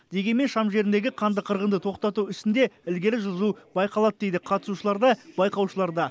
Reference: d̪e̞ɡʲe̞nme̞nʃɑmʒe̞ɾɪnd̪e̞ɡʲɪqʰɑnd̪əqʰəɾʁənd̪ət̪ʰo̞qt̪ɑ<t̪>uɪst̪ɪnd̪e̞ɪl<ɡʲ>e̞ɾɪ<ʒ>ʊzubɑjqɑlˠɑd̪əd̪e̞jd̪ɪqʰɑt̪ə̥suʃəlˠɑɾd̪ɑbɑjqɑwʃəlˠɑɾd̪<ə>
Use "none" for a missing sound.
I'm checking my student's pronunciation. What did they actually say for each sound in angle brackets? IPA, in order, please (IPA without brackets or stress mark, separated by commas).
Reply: t̪, ɡʲ, ʒ, ɑ